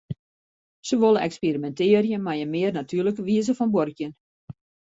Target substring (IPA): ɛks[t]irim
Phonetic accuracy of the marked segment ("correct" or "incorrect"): incorrect